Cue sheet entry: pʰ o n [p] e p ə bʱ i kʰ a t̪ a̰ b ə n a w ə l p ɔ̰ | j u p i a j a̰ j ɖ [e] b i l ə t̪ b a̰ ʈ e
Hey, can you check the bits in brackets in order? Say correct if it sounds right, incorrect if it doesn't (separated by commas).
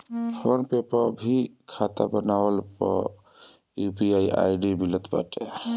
correct, incorrect